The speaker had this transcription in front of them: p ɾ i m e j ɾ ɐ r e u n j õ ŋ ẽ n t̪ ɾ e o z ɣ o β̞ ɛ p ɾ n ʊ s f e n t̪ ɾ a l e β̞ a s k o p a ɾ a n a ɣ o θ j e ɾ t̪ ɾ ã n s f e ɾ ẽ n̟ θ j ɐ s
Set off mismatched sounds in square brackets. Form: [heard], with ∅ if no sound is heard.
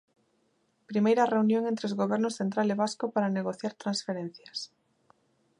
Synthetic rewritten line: p ɾ i m e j ɾ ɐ r e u n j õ ŋ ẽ n t̪ ɾ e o z ɣ o β̞ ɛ [∅] ɾ n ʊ s [θ] e n t̪ ɾ a l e β̞ a s k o p a ɾ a n [e] ɣ o θ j [a] ɾ t̪ ɾ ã n s f e ɾ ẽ n̟ θ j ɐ s